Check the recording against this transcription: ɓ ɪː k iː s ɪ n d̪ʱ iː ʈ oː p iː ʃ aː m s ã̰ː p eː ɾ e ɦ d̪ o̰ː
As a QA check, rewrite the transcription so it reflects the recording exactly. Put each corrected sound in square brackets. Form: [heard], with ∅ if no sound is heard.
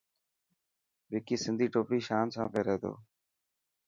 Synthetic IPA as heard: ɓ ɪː k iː s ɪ n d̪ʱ iː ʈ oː p iː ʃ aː [n] s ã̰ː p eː ɾ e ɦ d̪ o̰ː